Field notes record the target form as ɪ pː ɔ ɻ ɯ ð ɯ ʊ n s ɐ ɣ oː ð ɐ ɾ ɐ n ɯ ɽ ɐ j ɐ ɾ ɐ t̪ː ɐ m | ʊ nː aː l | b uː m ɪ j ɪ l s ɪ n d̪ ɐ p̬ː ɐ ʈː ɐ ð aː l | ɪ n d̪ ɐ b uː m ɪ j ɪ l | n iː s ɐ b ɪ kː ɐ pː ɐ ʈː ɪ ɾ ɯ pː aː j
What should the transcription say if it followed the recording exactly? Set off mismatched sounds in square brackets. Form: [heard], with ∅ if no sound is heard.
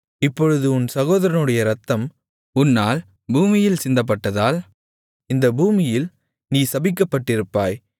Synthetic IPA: ɪ pː ɔ ɻ ɯ ð ɯ ʊ n s ɐ ɣ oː ð ɐ ɾ ɐ n ɯ ɽ ɐ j ɐ ɾ ɐ t̪ː ɐ m | ʊ nː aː l | b uː m ɪ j ɪ l s ɪ n d̪ ɐ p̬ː ɐ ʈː ɐ ð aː l | ɪ n d̪ ɐ b uː m ɪ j ɪ l | n iː s ɐ b ɪ kː ɐ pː ɐ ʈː ɪ ɾ ɯ pː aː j